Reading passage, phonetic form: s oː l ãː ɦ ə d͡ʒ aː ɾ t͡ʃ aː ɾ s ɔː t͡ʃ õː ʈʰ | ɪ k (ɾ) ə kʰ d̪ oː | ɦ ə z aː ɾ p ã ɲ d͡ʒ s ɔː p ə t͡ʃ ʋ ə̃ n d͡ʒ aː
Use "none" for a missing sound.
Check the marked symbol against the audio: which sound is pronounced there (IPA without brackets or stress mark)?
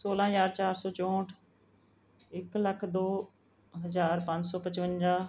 l